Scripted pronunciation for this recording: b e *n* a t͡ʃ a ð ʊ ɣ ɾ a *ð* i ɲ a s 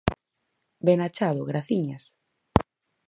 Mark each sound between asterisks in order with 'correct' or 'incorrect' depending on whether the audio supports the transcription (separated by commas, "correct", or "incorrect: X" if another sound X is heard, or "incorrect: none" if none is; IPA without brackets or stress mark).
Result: correct, incorrect: θ